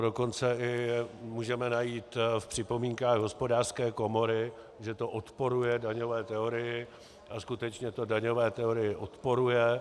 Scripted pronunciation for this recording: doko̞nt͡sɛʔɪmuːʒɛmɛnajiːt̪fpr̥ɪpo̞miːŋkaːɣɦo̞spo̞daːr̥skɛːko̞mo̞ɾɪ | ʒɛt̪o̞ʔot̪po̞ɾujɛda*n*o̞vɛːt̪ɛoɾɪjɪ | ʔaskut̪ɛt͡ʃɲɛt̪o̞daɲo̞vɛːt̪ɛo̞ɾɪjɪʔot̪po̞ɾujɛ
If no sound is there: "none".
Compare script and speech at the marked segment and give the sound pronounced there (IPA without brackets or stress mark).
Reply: ɲ